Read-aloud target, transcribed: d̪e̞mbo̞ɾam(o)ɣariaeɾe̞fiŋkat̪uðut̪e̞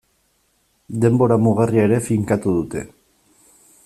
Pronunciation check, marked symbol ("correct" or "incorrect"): incorrect